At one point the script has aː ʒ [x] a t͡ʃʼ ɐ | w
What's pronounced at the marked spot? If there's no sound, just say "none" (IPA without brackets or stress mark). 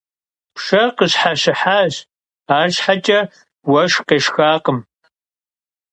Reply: ħ